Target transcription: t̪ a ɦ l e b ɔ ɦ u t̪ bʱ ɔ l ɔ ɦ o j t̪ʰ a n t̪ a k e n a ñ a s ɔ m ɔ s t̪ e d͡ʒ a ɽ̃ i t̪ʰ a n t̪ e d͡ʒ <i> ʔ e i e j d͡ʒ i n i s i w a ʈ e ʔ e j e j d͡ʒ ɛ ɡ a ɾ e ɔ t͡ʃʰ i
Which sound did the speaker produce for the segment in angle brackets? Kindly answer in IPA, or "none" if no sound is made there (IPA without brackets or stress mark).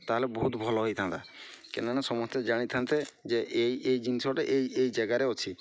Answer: e